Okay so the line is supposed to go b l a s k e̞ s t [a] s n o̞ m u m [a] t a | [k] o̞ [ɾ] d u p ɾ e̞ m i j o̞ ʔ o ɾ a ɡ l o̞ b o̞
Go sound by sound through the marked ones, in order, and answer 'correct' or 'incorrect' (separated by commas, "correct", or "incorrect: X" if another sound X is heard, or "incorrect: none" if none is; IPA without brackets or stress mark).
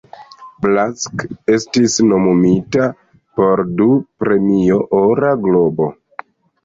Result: incorrect: i, incorrect: i, incorrect: p, correct